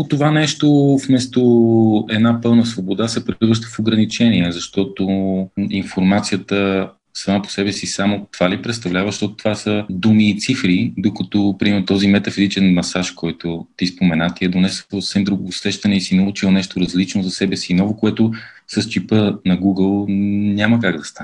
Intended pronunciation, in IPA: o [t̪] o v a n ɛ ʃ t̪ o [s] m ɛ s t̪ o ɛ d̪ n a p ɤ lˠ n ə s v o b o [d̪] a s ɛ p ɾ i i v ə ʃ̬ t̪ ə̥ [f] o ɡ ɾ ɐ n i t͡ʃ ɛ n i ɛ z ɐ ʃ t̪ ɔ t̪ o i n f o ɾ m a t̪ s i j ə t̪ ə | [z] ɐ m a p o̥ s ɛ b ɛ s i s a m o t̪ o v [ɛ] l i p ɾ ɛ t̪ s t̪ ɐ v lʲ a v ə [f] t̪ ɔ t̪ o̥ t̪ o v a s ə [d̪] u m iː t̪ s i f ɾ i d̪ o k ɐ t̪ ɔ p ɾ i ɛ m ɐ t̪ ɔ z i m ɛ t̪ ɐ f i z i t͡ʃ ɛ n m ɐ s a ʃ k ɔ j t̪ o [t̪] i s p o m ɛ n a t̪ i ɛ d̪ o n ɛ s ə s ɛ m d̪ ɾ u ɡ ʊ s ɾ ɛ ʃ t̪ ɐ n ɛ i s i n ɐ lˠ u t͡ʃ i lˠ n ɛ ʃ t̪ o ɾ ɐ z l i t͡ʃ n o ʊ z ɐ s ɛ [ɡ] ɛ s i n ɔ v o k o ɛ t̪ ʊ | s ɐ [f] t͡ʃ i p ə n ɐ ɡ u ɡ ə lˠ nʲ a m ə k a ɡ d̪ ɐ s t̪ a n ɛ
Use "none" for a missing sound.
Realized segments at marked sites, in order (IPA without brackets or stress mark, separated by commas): t̪, f, d̪, f, s, a, ʃ, d̪, t̪, b, s